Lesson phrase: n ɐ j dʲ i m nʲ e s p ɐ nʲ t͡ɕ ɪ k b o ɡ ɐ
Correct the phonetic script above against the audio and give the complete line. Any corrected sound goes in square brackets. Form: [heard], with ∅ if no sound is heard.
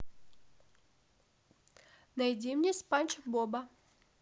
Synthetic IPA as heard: n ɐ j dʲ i m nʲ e s p [a] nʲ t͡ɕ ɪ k b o [b] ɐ